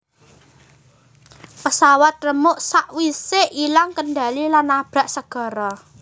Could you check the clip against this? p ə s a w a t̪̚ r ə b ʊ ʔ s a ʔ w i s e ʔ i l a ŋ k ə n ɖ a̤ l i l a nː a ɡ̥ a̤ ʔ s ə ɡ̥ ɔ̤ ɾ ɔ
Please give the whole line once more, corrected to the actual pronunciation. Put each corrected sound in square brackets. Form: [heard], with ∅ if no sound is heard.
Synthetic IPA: p ə s a w a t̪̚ r ə [m] ʊ ʔ s a ʔ w i s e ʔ i l a ŋ k ə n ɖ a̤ l i l a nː a [b̥] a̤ ʔ s ə ɡ̥ ɔ̤ ɾ ɔ